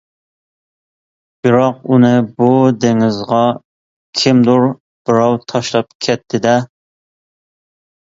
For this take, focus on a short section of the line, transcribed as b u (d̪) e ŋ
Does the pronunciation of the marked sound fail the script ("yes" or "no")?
no